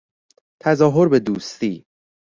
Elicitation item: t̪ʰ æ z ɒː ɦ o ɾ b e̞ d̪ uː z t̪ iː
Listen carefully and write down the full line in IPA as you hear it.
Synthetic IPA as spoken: t̪ʰ æ z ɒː ɦ o ɾ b e̞ d̪ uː s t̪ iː